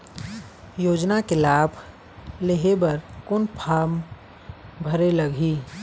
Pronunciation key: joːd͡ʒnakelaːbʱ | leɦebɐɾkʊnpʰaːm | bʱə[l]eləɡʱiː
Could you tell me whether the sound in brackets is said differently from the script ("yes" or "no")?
yes